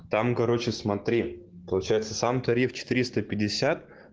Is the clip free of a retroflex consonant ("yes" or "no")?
yes